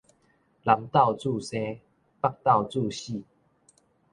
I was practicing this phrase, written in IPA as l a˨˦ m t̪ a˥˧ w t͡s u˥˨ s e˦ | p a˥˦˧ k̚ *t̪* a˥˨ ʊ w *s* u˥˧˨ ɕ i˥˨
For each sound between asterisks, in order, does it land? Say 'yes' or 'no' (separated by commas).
yes, no